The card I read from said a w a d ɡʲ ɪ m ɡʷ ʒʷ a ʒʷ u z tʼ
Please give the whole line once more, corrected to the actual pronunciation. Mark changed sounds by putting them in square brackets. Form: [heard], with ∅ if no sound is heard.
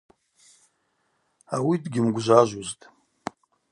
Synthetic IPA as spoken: a w [i] d ɡʲ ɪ m ɡʷ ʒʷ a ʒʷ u z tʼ